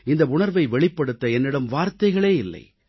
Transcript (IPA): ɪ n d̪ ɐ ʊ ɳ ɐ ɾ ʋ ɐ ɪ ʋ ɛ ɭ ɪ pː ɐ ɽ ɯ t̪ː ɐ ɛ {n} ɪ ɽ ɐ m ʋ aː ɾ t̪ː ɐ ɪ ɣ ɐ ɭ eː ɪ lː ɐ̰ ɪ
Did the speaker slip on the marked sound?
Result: yes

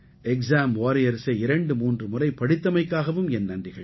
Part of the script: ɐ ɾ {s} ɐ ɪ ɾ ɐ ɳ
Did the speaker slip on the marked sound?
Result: no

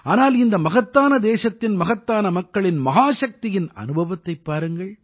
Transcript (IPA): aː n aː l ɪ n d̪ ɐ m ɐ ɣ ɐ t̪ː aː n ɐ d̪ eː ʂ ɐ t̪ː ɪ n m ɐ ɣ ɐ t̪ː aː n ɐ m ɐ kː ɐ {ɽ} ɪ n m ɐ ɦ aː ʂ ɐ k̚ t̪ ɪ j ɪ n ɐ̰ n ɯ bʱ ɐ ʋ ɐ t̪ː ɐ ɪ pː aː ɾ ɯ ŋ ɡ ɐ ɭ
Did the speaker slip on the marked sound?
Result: yes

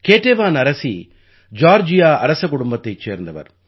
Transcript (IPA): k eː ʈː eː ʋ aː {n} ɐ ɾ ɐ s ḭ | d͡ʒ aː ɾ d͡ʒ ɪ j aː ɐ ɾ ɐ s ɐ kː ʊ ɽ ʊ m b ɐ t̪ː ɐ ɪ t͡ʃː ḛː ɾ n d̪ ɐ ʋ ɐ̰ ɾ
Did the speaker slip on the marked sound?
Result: no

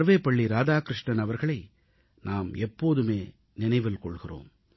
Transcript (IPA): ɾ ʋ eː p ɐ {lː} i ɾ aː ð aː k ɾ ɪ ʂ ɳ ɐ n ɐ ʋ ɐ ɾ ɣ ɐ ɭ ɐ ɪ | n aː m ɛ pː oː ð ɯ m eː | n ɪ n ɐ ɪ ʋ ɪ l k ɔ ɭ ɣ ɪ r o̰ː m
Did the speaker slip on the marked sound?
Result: yes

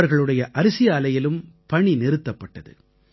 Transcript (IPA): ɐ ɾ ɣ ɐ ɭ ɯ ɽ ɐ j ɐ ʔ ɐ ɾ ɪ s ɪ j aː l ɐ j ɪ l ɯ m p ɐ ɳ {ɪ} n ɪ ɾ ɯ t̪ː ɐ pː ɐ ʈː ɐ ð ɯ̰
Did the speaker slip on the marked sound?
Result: yes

